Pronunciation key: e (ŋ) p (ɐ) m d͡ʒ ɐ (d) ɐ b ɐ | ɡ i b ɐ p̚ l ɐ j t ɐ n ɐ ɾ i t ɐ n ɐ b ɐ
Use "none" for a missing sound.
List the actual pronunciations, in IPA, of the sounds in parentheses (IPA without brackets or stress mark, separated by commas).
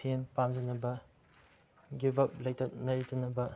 n, a, n